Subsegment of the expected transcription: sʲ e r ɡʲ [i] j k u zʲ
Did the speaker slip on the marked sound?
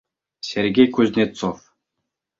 yes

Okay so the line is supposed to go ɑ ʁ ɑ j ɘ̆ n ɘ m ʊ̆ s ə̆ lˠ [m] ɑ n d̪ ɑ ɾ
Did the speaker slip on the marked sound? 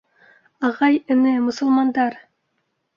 no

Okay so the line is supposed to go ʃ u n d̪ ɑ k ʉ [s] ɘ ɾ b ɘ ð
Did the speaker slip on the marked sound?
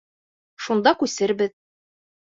no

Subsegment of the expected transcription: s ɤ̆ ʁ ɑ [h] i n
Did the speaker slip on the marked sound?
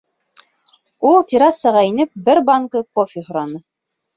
yes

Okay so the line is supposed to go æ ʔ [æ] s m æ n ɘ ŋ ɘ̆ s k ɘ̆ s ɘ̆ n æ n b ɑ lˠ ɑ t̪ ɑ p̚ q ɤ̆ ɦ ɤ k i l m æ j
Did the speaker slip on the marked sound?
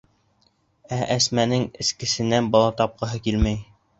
no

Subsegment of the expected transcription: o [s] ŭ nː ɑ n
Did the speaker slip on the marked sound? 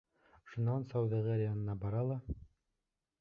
yes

